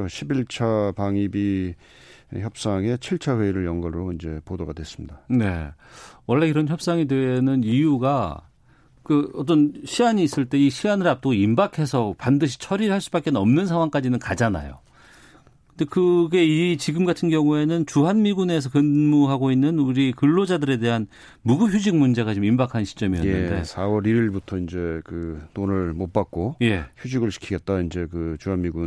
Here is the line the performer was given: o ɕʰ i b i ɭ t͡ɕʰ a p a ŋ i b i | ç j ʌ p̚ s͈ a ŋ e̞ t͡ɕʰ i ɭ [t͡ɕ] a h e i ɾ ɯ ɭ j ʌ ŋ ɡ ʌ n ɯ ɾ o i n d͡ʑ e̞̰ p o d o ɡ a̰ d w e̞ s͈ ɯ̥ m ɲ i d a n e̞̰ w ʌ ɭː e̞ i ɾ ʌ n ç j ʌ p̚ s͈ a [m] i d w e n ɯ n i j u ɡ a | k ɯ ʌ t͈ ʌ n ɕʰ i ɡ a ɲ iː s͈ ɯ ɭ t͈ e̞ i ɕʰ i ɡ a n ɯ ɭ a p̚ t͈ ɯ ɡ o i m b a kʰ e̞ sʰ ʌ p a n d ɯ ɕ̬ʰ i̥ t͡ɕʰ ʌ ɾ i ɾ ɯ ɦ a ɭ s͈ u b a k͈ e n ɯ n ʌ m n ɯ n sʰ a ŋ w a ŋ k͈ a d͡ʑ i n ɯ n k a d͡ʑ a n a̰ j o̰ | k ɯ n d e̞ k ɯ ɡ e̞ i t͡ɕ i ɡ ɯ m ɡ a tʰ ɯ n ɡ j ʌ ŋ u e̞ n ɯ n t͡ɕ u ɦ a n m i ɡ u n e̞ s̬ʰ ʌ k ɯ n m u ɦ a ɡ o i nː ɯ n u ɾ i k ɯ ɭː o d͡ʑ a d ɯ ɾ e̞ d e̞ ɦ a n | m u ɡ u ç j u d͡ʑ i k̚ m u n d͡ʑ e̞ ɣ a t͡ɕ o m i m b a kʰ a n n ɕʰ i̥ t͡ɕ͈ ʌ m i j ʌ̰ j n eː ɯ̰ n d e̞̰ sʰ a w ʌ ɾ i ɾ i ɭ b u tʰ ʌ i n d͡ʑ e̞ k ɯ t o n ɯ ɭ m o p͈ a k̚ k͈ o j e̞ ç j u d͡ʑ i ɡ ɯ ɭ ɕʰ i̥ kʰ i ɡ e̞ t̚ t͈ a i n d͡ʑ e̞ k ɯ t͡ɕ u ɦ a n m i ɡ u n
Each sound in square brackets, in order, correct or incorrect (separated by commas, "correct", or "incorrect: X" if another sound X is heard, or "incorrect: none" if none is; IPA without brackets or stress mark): incorrect: t͡ɕʰ, incorrect: ŋ